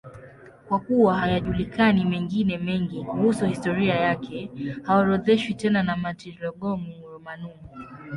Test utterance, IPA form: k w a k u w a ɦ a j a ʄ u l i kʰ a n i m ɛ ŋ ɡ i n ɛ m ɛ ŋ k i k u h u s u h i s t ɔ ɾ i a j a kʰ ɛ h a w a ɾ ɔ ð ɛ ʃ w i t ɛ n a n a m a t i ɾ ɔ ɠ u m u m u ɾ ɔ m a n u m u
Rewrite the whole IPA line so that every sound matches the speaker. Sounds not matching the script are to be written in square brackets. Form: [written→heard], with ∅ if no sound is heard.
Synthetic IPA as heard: k w a k u w a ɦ a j a ʄ u l i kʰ a n i m ɛ ŋ ɡ i n ɛ m ɛ ŋ [k→ɡ] i k u h u s u h i s t ɔ ɾ i a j a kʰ ɛ h a w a ɾ ɔ ð ɛ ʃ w i t ɛ n a n a m a t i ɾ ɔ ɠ [u→ɔ] m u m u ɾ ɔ m a n u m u